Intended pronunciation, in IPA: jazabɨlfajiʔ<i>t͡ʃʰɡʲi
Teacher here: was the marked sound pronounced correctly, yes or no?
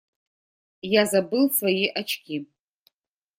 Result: no